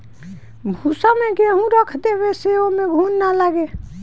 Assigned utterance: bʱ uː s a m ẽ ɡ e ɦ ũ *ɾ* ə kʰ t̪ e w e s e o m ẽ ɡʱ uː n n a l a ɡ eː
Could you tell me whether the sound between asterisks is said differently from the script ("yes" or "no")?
no